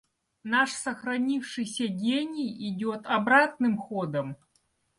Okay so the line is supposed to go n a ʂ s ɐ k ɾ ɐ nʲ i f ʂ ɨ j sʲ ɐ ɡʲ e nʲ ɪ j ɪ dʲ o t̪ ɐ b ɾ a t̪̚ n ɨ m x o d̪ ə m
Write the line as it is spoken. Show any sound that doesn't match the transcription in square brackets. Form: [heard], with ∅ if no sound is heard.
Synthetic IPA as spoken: n a ʂ s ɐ [x] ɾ ɐ nʲ i f ʂ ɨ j sʲ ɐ ɡʲ e nʲ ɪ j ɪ dʲ o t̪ ɐ b ɾ a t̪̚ n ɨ m x o d̪ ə m